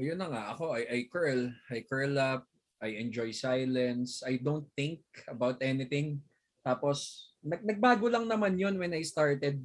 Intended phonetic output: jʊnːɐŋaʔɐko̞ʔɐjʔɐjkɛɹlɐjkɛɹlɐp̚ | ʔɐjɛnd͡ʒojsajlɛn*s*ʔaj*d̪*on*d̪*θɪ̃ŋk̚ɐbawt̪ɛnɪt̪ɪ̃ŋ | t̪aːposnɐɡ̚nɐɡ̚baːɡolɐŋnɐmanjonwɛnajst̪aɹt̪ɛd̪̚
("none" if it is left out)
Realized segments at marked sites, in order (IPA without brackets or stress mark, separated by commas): s, d̪, t̪